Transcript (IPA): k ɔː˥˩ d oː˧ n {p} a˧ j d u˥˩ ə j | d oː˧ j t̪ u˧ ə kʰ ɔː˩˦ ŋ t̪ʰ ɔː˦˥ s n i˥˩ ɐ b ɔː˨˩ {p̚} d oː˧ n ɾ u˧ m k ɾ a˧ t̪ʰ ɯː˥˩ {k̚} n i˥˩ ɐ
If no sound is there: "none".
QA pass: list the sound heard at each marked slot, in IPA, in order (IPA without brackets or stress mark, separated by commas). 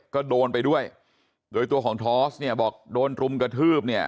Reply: p, k̚, p̚